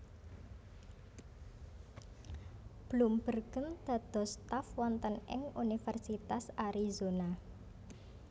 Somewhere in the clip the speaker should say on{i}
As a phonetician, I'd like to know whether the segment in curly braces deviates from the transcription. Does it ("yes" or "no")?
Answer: yes